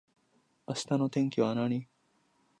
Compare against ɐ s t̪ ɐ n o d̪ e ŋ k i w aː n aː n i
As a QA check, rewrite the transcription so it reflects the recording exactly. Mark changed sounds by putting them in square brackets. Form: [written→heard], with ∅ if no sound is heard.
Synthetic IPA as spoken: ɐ s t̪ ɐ n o [d̪→t̪] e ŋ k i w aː n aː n i

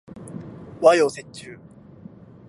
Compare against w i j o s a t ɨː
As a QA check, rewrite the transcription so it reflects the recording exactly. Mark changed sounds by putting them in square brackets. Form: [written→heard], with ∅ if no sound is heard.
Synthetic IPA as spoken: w [i→a] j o s [a→e] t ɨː

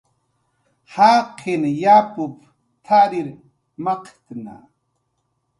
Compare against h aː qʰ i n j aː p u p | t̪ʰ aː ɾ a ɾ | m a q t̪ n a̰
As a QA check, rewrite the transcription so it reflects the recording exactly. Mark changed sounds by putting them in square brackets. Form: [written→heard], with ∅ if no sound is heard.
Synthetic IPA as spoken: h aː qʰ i n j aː p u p | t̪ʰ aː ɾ [a→i] ɾ | m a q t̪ n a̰

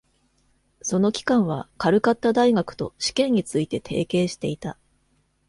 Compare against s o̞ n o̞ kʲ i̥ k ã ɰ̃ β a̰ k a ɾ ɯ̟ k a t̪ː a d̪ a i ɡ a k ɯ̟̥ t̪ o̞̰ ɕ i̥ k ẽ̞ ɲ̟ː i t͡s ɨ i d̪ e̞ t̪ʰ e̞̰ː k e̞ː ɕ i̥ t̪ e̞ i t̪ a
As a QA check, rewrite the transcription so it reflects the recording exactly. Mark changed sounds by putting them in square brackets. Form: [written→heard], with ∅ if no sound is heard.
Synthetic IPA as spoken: s o̞ n o̞ kʲ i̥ k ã ɰ̃ β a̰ k a ɾ ɯ̟ k a t̪ː a d̪ a i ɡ a k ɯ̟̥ t̪ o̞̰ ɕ i̥ k ẽ̞ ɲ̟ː i t͡s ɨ i [d̪→t̪] e̞ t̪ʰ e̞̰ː k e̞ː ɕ i̥ t̪ e̞ i t̪ a

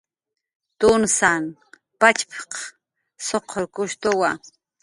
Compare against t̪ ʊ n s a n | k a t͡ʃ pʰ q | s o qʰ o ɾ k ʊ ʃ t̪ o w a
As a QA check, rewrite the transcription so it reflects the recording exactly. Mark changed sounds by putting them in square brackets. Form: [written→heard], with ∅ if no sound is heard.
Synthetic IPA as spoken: t̪ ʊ n s a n | [k→p] a t͡ʃ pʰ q | s o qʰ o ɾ k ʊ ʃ t̪ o w a

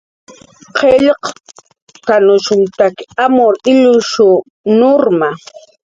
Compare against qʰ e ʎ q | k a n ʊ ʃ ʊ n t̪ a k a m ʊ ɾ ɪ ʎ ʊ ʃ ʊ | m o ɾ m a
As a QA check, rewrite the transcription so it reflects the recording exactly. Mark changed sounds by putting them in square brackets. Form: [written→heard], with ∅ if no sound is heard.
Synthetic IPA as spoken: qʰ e ʎ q | k a n ʊ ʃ ʊ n t̪ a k a m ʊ ɾ ɪ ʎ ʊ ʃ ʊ | [m→n] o ɾ m a

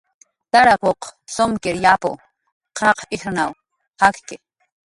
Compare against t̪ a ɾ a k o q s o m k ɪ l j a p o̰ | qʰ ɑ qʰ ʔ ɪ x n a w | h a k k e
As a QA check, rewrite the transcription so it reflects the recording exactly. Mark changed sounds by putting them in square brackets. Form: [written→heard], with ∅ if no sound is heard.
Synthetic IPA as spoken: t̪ a ɾ a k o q s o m k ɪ [l→ɾ] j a p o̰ | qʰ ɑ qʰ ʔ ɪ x n a w | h a k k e

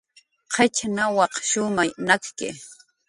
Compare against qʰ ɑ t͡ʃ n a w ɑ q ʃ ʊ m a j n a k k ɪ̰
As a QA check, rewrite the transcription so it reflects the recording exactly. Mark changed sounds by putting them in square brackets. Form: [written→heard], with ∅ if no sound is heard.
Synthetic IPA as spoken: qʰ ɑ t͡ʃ n a w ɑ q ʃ ʊ m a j n a k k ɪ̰

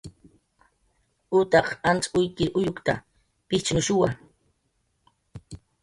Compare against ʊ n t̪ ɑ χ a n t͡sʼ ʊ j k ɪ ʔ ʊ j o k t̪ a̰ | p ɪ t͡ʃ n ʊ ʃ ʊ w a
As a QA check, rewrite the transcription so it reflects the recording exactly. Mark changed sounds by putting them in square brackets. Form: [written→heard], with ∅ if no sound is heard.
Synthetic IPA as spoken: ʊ [n→∅] t̪ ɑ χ a n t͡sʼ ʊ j k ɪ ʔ ʊ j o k t̪ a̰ | p ɪ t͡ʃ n ʊ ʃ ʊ w a

